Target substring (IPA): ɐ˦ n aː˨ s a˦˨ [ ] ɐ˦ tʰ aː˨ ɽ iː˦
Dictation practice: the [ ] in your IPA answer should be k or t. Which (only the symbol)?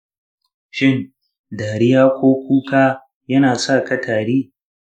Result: k